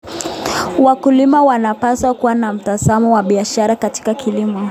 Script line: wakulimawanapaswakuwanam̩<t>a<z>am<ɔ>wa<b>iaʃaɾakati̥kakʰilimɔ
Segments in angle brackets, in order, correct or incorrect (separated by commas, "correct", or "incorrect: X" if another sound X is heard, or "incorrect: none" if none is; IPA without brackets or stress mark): correct, correct, correct, incorrect: ɓ